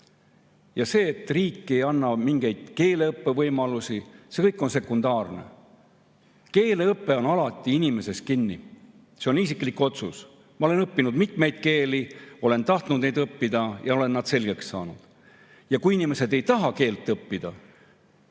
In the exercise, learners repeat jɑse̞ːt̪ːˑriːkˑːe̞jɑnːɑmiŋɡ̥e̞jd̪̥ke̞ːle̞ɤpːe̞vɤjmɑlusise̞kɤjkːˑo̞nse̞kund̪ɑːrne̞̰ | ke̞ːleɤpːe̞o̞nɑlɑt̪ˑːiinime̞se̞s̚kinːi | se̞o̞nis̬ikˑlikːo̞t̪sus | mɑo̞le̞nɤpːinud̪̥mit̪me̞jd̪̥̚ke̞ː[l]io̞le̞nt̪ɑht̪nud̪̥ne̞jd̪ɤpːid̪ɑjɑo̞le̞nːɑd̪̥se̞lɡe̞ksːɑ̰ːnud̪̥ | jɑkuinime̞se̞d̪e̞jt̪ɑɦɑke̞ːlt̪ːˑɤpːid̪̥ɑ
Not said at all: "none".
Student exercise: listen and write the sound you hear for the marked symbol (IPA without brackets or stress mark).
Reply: l